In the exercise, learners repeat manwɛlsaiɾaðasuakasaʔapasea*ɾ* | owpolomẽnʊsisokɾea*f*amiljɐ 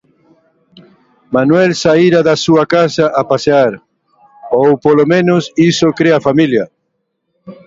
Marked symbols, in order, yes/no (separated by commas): yes, yes